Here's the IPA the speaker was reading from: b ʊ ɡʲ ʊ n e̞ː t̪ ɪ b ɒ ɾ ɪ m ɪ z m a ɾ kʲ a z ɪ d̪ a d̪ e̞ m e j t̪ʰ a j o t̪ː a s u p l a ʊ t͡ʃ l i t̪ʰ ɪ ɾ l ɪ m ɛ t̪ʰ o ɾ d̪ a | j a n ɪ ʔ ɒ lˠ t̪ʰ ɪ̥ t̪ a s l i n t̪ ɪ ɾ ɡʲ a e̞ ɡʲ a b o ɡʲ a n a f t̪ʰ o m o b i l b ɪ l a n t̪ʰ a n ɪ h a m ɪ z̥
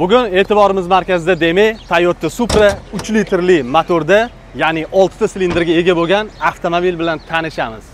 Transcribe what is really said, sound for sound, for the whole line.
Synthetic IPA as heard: b ʊ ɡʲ ʊ n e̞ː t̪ ɪ b ɒ ɾ ɪ m ɪ z m a ɾ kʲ a z ɪ d̪ a d̪ e̞ m e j t̪ʰ a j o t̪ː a s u p ɾ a ʊ t͡ʃ l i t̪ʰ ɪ ɾ l ɪ m a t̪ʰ o ɾ d̪ a | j a n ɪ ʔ ɒ lˠ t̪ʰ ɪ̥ t̪ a s l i n d̪ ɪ ɾ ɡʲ a e̞ ɡʲ a b o ɡʲ a n a f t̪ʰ o m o b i l b ɪ l a n t̪ʰ a n ɪ ʃ a m ɪ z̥